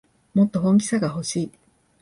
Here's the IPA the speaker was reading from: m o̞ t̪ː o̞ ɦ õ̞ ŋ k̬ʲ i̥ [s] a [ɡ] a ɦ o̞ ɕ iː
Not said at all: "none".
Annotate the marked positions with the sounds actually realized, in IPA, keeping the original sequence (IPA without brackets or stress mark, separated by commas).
s, ɡ